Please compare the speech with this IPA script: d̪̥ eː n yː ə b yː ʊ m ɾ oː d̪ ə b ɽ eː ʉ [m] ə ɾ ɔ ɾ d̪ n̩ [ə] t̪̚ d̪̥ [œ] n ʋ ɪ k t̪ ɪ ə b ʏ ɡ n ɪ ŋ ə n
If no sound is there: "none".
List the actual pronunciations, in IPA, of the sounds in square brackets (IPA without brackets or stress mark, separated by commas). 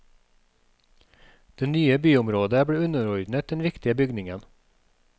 n, ə, ɛ